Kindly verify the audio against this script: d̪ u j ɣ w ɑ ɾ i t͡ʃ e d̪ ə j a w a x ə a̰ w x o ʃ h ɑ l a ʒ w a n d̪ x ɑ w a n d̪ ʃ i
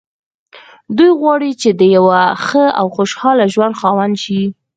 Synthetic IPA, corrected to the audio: d̪ u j ɣ w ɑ ɽ i t͡ʃ e d̪ ə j a w a x ə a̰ w x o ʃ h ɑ l a ʒ w a n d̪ x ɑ w a n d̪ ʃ i